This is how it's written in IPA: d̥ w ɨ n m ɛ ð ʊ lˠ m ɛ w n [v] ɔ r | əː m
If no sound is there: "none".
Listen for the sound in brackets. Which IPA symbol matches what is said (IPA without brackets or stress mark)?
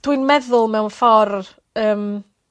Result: f